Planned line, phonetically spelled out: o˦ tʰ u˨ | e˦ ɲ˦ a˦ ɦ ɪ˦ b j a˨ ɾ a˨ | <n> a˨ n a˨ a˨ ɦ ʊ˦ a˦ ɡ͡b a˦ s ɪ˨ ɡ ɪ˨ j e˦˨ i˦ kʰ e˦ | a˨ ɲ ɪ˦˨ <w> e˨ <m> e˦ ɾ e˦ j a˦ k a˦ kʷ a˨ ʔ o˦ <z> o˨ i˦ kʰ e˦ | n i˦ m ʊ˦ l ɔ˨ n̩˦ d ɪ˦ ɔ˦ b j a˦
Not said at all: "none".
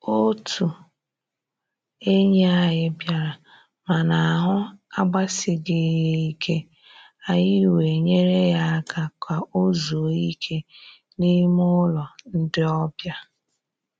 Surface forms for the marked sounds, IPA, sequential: m, w, ɲ, z

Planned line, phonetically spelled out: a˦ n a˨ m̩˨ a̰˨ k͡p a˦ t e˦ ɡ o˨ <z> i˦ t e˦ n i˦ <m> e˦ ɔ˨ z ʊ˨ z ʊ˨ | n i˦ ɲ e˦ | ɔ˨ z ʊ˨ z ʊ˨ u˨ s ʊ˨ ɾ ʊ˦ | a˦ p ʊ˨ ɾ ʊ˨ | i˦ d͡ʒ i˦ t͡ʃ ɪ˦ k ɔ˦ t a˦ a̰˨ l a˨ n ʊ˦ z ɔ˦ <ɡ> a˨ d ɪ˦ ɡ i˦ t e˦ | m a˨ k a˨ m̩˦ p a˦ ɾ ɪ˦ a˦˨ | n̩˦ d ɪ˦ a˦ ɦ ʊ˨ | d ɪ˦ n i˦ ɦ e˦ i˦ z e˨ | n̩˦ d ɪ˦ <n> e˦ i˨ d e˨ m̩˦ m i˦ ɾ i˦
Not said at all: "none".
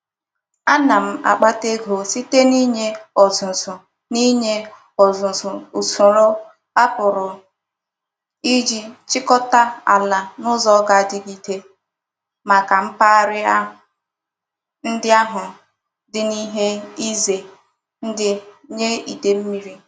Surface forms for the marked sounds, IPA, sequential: s, ɲ, ɡ, ɲ

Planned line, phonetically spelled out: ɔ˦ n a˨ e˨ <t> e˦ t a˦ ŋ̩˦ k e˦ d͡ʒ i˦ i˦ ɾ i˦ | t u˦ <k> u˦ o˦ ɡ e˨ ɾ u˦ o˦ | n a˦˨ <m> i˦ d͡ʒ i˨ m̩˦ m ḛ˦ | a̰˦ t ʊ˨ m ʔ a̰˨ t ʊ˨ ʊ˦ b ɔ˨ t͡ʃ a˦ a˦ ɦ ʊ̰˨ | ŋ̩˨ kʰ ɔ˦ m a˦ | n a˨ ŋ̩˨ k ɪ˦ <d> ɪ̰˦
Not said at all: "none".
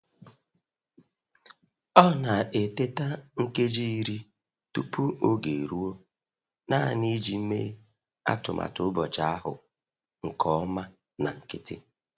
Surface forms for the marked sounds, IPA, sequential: t, p, n, t

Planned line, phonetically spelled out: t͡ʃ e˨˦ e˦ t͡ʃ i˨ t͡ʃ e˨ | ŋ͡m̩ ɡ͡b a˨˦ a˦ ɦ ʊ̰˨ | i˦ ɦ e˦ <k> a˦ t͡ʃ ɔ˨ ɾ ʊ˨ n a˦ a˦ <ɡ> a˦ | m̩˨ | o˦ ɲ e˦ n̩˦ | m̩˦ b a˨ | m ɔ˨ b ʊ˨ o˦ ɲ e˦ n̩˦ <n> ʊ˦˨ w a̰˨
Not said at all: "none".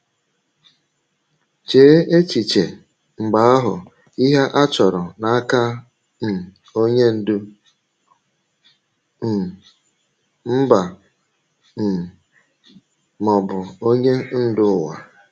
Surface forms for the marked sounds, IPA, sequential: ʔ, k, d

